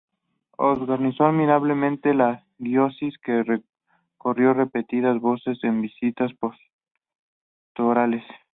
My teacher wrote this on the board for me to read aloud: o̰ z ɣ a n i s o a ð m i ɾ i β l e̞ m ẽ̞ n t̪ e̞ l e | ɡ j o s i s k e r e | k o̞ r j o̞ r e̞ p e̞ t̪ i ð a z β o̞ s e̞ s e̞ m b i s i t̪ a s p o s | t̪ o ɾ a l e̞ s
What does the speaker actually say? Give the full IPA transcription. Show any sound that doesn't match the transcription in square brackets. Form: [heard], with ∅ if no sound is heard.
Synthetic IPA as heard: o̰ z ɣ a n i s o a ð m i ɾ [a] β l e̞ m ẽ̞ n t̪ e̞ l [a] | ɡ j o s i s k e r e | k o̞ r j o̞ r e̞ p e̞ t̪ i ð a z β o̞ s e̞ s e̞ m b i s i t̪ a s p o s | t̪ o ɾ a l e̞ s